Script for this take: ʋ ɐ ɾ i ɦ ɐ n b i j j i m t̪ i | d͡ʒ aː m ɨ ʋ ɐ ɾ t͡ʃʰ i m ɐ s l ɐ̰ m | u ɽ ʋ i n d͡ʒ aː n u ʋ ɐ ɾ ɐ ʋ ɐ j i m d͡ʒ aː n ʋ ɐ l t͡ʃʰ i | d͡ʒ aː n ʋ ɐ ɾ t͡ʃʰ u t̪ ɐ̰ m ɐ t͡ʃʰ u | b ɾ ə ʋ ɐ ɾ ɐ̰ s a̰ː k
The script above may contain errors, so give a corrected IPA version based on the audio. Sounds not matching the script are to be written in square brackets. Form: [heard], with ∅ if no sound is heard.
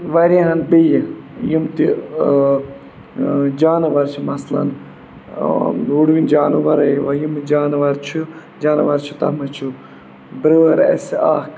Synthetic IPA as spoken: ʋ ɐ ɾ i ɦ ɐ n b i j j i m t̪ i | d͡ʒ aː [n] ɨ ʋ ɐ ɾ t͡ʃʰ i m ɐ s l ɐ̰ [n] | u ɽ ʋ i n d͡ʒ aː n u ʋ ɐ ɾ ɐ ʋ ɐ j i m d͡ʒ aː n ʋ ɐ [ɾ] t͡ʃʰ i | d͡ʒ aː n ʋ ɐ ɾ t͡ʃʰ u t̪ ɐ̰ m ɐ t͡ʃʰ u | b ɾ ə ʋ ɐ ɾ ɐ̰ s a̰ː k